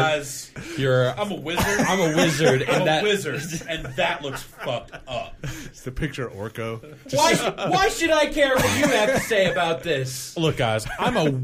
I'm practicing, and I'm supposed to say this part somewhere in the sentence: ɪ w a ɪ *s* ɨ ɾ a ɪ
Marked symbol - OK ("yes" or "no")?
no